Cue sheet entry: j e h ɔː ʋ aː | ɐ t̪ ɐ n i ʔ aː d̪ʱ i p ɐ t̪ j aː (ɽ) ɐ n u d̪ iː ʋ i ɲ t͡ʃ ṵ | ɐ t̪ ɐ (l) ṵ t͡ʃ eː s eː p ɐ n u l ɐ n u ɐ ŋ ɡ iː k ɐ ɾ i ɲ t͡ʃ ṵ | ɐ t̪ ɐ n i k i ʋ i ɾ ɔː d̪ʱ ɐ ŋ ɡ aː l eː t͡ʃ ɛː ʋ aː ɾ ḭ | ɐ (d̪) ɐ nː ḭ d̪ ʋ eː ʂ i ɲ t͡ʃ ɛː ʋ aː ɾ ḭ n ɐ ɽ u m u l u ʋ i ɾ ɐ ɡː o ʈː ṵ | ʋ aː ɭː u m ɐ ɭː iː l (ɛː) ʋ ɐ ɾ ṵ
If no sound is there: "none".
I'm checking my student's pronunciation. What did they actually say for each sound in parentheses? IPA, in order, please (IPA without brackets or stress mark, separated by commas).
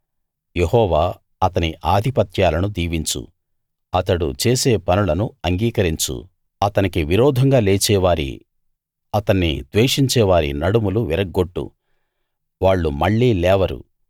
l, ɽ, t̪, ɛː